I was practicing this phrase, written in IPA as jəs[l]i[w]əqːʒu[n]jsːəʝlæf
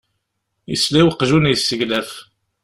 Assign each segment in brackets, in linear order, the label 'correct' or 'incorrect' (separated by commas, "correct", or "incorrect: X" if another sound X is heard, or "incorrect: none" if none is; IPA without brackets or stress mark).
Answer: correct, correct, correct